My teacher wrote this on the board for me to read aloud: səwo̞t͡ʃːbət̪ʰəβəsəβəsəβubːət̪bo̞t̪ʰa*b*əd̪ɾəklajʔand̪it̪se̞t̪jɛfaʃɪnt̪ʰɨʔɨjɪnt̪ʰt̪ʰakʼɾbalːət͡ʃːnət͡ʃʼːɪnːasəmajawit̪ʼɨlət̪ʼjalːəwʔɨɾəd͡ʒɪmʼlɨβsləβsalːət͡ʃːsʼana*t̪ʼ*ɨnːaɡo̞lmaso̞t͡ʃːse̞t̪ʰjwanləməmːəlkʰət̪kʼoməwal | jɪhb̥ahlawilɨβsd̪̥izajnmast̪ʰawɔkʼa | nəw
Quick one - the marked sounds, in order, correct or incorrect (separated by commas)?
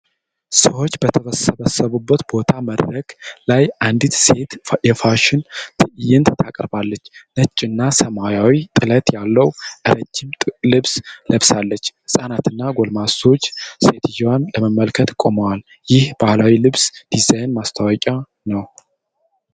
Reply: incorrect, incorrect